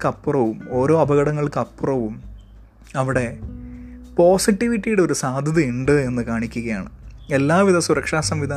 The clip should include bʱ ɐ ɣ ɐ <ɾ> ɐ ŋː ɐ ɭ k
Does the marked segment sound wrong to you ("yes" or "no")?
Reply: yes